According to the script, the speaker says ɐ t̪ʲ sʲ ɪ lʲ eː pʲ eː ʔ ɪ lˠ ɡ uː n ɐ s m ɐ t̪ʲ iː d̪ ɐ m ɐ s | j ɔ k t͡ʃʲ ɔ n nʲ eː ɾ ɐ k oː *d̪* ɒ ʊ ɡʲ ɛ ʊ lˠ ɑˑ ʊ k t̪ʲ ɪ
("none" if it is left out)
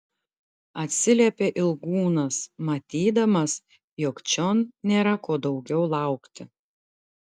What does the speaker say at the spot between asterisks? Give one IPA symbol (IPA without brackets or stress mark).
d̪